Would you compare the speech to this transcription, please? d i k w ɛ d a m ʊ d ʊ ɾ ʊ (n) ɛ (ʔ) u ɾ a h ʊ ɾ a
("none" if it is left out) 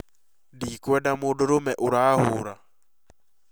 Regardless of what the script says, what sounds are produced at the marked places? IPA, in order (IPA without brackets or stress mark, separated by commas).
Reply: m, ʔ